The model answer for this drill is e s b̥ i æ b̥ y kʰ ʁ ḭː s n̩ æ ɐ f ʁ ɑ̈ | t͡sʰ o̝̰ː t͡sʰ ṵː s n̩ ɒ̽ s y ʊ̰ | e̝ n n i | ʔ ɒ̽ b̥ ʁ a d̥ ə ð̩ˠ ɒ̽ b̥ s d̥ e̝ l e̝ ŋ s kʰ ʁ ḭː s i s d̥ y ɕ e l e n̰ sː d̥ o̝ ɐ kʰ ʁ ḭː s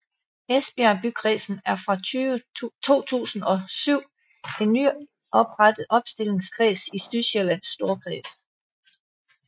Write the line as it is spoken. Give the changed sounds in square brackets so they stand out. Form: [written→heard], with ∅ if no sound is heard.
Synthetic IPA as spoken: e s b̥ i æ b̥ y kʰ ʁ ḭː s n̩ æ ɐ f ʁ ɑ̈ | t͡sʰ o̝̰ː t͡sʰ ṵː s n̩ ɒ̽ s y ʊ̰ | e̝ n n [i→y] | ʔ ɒ̽ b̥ ʁ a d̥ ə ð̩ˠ ɒ̽ b̥ s d̥ e̝ l e̝ ŋ s kʰ ʁ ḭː s i s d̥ y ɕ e l [e→æ] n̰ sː d̥ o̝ ɐ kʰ ʁ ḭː s